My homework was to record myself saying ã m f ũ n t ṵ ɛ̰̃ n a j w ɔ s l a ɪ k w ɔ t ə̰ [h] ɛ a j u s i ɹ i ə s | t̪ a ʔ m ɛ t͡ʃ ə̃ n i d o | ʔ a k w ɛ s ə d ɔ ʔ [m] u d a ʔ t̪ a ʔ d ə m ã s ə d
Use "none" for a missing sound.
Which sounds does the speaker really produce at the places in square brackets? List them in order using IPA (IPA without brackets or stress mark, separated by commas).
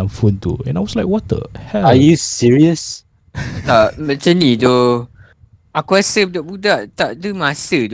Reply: h, b